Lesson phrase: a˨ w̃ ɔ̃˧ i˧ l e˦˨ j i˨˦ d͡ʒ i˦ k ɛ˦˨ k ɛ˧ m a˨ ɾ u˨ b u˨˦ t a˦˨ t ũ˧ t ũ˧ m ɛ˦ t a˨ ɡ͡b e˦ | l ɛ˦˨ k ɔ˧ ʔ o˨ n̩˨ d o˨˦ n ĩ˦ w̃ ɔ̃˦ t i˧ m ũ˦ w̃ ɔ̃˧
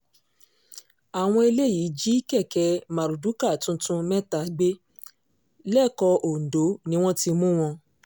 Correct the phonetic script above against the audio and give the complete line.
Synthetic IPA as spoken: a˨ w̃ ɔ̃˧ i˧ l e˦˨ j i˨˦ d͡ʒ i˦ k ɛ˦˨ k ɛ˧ m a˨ ɾ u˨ d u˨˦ k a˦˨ t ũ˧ t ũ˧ m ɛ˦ t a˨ ɡ͡b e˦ | l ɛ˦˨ k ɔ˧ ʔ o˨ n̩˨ d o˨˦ n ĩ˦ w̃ ɔ̃˦ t i˧ m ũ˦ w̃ ɔ̃˧

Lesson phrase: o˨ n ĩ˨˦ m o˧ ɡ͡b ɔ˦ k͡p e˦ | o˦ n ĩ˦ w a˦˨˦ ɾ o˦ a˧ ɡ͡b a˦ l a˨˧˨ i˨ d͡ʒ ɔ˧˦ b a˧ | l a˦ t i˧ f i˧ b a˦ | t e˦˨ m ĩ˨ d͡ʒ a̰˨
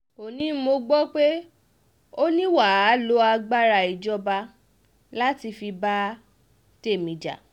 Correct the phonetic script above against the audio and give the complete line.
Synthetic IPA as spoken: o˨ n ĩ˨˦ m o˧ ɡ͡b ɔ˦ k͡p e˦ | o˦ n ĩ˦ w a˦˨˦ l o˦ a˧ ɡ͡b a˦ ɾ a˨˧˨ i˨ d͡ʒ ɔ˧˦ b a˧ | l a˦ t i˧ f i˧ b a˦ | t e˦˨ m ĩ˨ d͡ʒ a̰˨

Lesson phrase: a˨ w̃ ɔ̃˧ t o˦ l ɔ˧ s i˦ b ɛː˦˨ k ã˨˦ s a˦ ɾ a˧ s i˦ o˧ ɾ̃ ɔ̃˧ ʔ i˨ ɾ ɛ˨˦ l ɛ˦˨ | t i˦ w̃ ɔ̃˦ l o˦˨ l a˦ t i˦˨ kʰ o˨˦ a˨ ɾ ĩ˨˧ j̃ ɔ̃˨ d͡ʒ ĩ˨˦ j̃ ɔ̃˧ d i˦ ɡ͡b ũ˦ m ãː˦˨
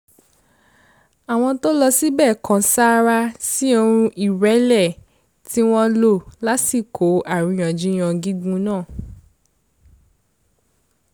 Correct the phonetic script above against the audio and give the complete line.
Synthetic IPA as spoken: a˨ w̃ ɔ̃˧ t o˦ l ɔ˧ s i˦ b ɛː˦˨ k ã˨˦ s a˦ ɾ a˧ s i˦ o˧ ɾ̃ ũ˧ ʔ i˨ ɾ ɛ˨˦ l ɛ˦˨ | t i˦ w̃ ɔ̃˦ l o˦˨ l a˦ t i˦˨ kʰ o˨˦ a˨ ɾ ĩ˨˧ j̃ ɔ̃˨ d͡ʒ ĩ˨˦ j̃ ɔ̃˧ ɡ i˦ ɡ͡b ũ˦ n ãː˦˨

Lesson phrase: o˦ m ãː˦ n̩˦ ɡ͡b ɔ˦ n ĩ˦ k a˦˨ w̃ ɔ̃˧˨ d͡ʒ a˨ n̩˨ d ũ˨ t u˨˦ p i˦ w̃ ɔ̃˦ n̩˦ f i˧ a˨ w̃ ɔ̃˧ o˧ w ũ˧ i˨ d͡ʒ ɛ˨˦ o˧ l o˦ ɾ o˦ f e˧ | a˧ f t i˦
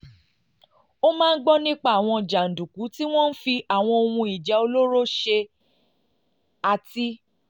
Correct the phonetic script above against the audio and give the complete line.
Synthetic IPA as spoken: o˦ m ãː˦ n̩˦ ɡ͡b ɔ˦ n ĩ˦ k͡p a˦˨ w̃ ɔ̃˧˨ d͡ʒ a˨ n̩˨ d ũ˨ k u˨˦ t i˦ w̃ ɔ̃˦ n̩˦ f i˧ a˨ w̃ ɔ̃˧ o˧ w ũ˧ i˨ d͡ʒ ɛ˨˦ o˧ l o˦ ɾ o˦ ʃ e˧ | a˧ t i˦

